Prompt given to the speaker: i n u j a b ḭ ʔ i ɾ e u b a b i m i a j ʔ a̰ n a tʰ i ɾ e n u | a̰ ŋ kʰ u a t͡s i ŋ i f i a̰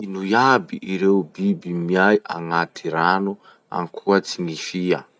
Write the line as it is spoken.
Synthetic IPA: i n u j a b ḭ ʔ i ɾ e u b i b i m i a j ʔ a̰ ŋ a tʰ i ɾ a n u | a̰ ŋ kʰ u a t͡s i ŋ i f i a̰